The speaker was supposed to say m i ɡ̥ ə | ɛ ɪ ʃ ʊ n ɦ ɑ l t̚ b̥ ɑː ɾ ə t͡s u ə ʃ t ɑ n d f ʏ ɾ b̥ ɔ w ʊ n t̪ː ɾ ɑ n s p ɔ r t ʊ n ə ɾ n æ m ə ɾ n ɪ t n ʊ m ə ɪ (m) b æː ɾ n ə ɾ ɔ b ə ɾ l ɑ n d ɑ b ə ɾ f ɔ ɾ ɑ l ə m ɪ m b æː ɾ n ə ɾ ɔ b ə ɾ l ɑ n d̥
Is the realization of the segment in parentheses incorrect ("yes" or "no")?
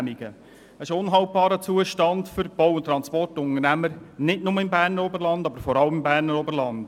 no